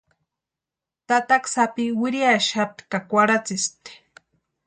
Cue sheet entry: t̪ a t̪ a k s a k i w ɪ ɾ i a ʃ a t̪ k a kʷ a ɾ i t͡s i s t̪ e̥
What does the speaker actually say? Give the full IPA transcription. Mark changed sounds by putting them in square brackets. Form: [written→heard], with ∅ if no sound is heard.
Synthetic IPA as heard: t̪ a t̪ a k s a [k→p] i w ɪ ɾ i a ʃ a t̪ k a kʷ a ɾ [i→a] t͡s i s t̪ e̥